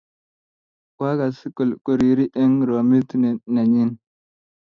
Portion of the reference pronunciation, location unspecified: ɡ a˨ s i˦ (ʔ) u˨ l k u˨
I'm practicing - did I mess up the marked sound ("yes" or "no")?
yes